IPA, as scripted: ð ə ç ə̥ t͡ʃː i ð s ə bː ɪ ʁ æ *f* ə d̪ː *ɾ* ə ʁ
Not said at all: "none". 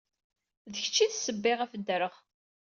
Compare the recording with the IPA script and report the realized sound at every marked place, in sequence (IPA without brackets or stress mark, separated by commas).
f, ɾ